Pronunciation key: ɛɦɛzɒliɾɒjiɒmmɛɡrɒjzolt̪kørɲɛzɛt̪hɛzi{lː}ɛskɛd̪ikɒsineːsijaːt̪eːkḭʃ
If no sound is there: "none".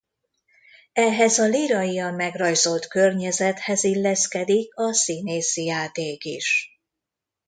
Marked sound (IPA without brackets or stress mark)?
lː